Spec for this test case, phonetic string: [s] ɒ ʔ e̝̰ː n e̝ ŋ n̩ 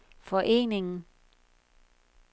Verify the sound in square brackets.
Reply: incorrect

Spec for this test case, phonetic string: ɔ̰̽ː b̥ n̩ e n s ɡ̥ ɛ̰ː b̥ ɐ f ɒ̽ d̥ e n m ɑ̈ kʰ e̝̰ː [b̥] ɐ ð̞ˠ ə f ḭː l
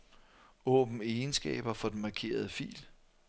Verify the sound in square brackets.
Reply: incorrect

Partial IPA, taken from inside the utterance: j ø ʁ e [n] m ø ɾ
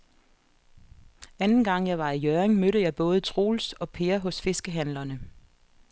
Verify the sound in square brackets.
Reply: incorrect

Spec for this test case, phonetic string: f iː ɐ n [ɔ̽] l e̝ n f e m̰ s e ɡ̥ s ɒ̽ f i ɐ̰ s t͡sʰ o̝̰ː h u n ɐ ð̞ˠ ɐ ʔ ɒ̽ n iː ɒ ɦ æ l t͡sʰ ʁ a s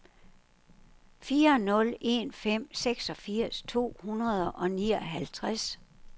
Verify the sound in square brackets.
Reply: correct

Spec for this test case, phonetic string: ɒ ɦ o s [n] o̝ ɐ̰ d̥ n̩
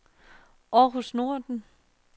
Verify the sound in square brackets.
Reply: correct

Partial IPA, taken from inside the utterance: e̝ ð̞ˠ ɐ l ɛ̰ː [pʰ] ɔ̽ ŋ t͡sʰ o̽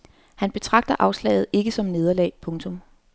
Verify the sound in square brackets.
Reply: correct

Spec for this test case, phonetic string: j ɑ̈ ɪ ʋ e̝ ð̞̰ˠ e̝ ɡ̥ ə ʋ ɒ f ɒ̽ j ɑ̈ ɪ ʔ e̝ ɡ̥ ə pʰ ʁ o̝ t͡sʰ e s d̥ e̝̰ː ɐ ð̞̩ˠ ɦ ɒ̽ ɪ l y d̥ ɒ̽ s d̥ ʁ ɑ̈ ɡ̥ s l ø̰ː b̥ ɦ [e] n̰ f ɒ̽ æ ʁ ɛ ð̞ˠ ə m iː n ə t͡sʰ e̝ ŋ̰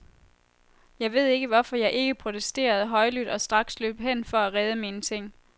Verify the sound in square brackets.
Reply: correct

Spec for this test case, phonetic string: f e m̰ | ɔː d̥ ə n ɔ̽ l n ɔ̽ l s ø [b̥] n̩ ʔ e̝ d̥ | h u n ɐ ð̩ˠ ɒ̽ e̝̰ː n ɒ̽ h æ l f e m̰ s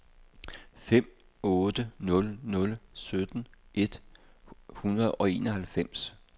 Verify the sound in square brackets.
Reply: incorrect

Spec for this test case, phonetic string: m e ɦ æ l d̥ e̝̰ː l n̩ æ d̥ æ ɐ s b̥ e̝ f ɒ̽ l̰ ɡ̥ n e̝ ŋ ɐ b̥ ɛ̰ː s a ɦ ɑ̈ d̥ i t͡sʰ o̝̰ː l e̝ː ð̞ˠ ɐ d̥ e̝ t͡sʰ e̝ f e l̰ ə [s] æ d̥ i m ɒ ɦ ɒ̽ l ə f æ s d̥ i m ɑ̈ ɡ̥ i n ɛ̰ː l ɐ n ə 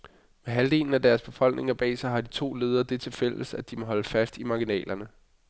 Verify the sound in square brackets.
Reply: correct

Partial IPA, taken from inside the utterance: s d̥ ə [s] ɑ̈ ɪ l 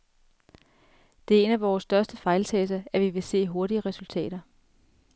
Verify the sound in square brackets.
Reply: incorrect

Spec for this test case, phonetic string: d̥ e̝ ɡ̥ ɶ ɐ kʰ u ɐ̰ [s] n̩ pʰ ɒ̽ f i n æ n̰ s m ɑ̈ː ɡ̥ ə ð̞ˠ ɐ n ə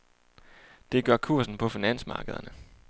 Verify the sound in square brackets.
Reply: correct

